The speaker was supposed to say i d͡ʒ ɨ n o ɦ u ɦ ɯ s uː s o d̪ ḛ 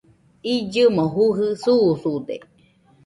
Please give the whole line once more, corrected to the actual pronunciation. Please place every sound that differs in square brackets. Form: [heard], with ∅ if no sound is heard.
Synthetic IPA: i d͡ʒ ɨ [m] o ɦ u ɦ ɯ s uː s [u] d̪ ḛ